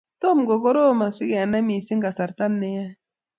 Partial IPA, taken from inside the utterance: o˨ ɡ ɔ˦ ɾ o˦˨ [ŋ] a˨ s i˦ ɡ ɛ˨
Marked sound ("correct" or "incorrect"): incorrect